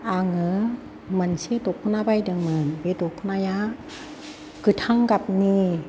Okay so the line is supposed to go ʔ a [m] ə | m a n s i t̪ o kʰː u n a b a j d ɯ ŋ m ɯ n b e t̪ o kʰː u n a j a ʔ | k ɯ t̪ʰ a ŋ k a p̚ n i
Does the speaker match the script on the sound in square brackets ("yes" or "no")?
no